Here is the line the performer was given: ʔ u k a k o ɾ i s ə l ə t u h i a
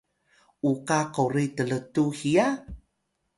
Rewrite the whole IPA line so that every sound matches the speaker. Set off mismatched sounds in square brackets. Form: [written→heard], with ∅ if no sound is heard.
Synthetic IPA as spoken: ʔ u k a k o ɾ i [s→t] ə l ə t u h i a

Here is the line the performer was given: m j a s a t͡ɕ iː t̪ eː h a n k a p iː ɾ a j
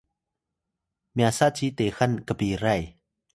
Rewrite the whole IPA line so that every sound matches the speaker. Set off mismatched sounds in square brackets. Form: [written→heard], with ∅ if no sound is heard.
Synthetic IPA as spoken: m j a s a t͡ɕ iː t̪ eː [h→x] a n k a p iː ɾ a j

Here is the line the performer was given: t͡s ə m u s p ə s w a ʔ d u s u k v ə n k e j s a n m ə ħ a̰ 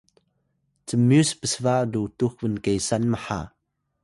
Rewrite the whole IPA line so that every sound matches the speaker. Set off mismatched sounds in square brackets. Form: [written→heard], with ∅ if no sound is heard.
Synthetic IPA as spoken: t͡s ə m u s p ə s [w→v] a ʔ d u [s→t] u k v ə n k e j s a n m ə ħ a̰

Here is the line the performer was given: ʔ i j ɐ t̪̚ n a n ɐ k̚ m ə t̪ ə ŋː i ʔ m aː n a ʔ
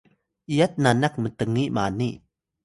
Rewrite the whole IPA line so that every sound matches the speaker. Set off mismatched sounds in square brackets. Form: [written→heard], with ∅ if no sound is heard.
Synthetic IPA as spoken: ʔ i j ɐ t̪̚ n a n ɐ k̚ m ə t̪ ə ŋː i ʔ m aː n [a→i] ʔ

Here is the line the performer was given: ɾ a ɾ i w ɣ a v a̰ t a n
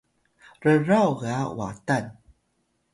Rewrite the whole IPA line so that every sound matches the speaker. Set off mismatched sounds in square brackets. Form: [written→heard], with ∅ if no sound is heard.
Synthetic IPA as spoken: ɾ [a→ə] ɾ [i→a] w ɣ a [v→w] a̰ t a n

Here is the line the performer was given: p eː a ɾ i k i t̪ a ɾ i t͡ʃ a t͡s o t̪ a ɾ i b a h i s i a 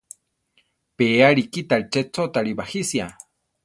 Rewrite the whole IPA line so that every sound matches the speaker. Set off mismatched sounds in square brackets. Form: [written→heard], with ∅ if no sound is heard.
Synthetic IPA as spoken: p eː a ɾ i k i t̪ a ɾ i t͡ʃ [a→e] t͡s o t̪ a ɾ i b a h i s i a

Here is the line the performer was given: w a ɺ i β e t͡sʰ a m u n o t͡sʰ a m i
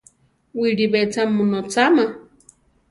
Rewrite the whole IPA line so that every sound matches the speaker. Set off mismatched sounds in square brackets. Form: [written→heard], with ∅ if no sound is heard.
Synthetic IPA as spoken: w [a→i] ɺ i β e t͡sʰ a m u n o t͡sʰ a m [i→a]

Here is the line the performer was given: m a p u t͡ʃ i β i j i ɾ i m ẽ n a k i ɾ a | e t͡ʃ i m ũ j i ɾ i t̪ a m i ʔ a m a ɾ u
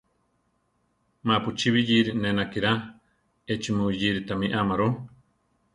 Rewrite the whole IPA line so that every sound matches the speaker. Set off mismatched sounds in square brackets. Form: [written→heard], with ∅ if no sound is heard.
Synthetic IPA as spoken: m a p u t͡ʃ i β i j i ɾ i [m→n] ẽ n a k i ɾ a | e t͡ʃ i m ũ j i ɾ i t̪ a m i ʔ a m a ɾ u

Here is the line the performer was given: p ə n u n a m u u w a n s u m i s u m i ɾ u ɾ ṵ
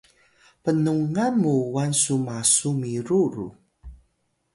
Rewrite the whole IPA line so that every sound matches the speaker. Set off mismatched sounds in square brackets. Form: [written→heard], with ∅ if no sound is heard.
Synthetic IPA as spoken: p ə n u [n→ŋ] a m u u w a n s u m [i→a] s u m i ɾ u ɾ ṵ

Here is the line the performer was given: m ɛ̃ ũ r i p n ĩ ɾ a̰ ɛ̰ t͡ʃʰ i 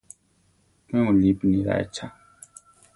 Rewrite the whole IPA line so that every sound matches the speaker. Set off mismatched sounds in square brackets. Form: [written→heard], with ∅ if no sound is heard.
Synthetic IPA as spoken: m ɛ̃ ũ [r→l] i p n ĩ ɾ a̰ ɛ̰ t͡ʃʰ [i→a]

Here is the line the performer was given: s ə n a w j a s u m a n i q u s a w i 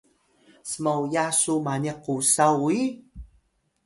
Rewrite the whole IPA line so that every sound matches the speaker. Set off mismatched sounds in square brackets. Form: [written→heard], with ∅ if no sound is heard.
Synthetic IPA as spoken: s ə [n→m] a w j a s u m a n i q u s a w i

